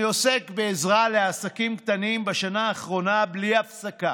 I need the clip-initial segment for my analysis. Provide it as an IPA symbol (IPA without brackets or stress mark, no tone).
o